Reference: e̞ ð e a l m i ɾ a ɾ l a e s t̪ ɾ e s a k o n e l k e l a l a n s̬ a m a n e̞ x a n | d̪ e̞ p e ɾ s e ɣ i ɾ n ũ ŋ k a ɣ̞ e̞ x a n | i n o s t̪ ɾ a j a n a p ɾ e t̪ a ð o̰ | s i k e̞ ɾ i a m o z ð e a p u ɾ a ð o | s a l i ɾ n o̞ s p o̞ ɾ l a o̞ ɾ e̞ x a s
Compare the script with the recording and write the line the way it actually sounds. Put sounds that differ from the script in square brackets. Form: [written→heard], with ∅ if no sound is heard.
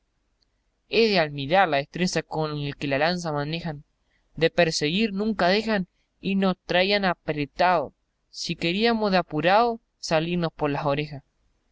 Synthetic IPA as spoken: e̞ ð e a l m i ɾ a ɾ l a e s t̪ ɾ e s a k o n e l k e l a l a n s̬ a m a n e̞ x a n | d̪ e̞ p e ɾ s e ɣ i ɾ n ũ ŋ k a [ɣ̞→ð̞] e̞ x a n | i n o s t̪ ɾ a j a n a p ɾ e t̪ a ð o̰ | s i k e̞ ɾ i a m o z ð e a p u ɾ a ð o | s a l i ɾ n o̞ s p o̞ ɾ l a o̞ ɾ e̞ x a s

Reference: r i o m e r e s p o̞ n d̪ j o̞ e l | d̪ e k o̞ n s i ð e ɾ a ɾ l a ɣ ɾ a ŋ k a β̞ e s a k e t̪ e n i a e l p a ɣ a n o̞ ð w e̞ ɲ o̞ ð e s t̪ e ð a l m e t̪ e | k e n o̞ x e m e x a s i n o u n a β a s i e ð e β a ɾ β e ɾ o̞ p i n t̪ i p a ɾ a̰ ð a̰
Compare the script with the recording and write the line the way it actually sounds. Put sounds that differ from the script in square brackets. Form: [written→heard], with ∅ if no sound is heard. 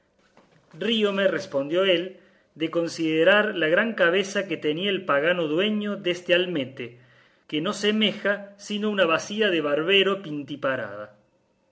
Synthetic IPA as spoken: r i o m e r e s p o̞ n d̪ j o̞ e l | d̪ e k o̞ n s i ð e ɾ a ɾ l a ɣ ɾ a ŋ k a β̞ e s a k e t̪ e n i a e l p a ɣ a n o̞ ð w e̞ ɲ o̞ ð e s t̪ e [ð→∅] a l m e t̪ e | k e n o̞ [x→s] e m e x a s i n o u n a β a s i [e→a] ð e β a ɾ β e ɾ o̞ p i n t̪ i p a ɾ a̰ ð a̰

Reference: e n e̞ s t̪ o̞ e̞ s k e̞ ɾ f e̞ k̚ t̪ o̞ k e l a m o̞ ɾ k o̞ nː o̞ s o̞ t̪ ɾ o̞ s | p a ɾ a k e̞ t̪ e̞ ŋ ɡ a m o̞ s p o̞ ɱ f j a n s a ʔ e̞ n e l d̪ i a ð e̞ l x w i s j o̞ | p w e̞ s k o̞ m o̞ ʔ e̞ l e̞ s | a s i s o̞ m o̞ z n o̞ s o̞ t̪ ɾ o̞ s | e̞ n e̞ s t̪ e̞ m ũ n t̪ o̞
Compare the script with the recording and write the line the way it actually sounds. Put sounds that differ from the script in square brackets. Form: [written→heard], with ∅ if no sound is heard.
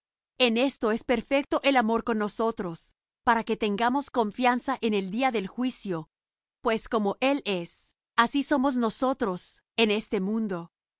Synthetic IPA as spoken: e n e̞ s t̪ o̞ e̞ s [k→p] e̞ ɾ f e̞ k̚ t̪ o̞ [k→ʔ] e l a m o̞ ɾ k o̞ nː o̞ s o̞ t̪ ɾ o̞ s | p a ɾ a k e̞ t̪ e̞ ŋ ɡ a m o̞ s [p→k] o̞ ɱ f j a n s a ʔ e̞ n e l d̪ i a ð e̞ l x w i s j o̞ | p w e̞ s k o̞ m o̞ ʔ e̞ l e̞ s | a s i s o̞ m o̞ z n o̞ s o̞ t̪ ɾ o̞ s | e̞ n e̞ s t̪ e̞ m ũ n [t̪→d̪] o̞

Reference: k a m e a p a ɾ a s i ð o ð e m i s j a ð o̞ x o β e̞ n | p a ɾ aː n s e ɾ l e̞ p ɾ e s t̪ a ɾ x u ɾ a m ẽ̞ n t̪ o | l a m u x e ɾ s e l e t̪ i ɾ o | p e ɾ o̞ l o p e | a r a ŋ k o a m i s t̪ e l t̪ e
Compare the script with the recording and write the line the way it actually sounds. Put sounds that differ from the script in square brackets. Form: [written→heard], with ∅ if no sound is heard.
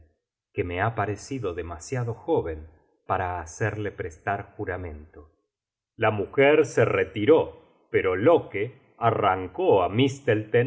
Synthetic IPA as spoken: k [a→e] m e a p a ɾ [a→e] s i ð o ð e m [i→a] s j a ð o̞ x o β e̞ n | p a ɾ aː [n→∅] s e ɾ l e̞ p ɾ e s t̪ a ɾ x u ɾ a m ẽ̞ n t̪ o | l a m u x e ɾ s e [l→r] e t̪ i ɾ o | p e ɾ o̞ l o [p→k] e | a r a ŋ k o a m i s t̪ e l t̪ e

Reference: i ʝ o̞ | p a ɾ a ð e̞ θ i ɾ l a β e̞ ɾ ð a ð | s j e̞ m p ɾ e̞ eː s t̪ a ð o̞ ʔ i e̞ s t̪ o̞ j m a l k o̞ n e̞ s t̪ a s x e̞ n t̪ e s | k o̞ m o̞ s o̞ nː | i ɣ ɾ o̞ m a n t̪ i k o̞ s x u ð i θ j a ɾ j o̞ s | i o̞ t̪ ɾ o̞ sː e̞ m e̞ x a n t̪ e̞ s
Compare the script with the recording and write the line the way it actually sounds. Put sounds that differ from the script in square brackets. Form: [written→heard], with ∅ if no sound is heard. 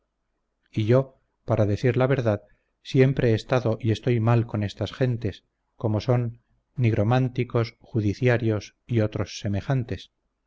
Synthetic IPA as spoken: i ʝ o̞ | p a ɾ a ð e̞ θ i ɾ l a β e̞ ɾ ð a ð | s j e̞ m p ɾ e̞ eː s t̪ a ð o̞ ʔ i e̞ s t̪ o̞ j m a l k o̞ n e̞ s t̪ a s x e̞ n t̪ e s | k o̞ m o̞ s o̞ nː | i ɣ ɾ o̞ m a n t̪ i k o̞ s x u ð i θ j a ɾ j o̞ s | i o̞ t̪ ɾ o̞ sː e̞ m e̞ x a n t̪ e̞ s

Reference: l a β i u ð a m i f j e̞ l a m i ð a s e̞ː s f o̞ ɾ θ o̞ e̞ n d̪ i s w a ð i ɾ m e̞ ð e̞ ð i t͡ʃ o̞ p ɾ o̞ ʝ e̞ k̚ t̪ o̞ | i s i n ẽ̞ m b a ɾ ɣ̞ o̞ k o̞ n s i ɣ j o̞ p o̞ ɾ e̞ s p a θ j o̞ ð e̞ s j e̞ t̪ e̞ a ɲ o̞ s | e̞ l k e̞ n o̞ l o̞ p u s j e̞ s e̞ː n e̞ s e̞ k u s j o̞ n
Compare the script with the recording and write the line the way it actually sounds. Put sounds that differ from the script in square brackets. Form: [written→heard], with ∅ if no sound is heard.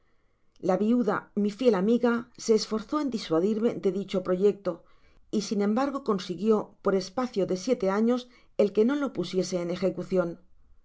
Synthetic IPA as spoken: l a β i u ð a m i f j e̞ l a m i [ð→ɣ] a s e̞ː s f o̞ ɾ θ o̞ e̞ n d̪ i s w a ð i ɾ m e̞ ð e̞ ð i t͡ʃ o̞ p ɾ o̞ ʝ e̞ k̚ t̪ o̞ | i s i n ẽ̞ m b a ɾ ɣ̞ o̞ k o̞ n s i ɣ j o̞ p o̞ ɾ e̞ s p a θ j o̞ ð e̞ s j e̞ t̪ e̞ a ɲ o̞ s | e̞ l k e̞ n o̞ l o̞ p u s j e̞ s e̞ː n e̞ [s→x] e̞ k u [s→θ] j o̞ n

